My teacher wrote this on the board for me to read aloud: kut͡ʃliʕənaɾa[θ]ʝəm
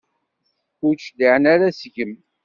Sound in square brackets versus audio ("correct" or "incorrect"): incorrect